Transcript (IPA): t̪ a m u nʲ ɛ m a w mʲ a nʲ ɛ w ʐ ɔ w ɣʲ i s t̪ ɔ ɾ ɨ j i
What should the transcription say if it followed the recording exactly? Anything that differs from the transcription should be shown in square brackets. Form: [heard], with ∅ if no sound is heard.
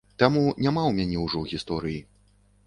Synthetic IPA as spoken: t̪ a m u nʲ [a] m a w mʲ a nʲ ɛ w ʐ ɔ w ɣʲ i s t̪ ɔ ɾ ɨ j i